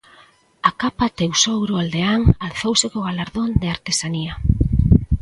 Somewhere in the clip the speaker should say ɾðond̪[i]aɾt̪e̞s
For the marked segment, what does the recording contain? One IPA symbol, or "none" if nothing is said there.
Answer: e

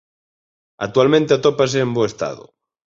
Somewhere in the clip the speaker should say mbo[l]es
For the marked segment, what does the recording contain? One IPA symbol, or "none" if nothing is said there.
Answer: none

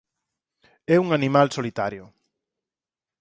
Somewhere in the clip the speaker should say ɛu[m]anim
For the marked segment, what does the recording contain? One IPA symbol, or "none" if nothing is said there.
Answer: ŋ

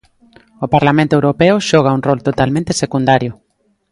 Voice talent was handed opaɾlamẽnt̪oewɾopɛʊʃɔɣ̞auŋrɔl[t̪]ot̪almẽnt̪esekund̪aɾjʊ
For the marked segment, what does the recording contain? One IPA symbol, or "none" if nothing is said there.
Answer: t̪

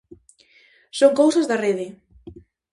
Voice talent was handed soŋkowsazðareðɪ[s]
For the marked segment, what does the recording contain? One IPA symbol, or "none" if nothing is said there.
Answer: none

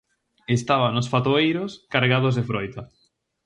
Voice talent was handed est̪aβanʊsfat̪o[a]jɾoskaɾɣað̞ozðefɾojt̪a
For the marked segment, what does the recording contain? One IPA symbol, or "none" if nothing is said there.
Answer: e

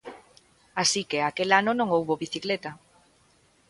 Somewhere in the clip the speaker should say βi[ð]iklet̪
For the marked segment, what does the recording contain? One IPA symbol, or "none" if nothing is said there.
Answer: θ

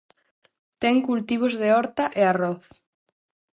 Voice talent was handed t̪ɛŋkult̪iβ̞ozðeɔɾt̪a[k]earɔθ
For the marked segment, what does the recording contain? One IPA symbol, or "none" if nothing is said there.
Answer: ʔ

